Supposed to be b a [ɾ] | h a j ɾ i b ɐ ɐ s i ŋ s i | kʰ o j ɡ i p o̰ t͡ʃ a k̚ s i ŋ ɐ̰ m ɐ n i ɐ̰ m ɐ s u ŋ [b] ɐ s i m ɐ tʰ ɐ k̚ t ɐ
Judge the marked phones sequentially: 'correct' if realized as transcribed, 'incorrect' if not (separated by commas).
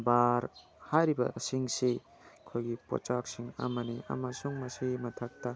correct, incorrect